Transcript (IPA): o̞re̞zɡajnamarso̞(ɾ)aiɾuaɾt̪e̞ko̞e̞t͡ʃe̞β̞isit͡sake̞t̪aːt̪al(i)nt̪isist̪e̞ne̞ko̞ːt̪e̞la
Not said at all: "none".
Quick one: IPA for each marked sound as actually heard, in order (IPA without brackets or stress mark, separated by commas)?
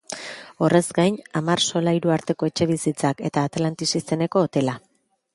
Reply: l, a